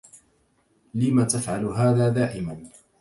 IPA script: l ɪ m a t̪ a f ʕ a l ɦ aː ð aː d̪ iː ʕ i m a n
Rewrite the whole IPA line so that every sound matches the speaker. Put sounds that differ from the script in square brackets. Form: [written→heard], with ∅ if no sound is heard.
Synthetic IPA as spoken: l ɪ m a t̪ a f ʕ a l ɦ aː ð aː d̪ [iː→aː] ʕ [i→ɪ] m a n